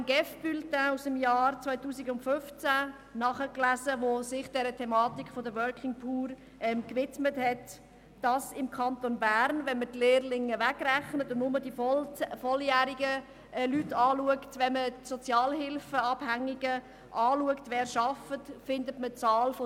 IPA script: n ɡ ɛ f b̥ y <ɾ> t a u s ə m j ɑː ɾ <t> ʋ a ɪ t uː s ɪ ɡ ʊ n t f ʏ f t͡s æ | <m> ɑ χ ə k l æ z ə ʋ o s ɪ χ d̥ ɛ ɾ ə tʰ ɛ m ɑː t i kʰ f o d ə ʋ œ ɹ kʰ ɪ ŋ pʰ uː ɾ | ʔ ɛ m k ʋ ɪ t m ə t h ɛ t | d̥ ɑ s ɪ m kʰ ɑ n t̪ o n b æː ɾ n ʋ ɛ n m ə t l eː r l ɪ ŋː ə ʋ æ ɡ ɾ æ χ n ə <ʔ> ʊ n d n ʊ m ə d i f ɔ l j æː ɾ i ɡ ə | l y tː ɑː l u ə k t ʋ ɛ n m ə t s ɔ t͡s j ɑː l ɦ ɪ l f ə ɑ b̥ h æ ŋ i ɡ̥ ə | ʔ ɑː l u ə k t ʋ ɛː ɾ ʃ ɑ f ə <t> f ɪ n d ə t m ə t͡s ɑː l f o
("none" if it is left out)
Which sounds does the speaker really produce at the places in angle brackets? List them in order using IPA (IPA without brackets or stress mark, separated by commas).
l, t͡s, n, t, t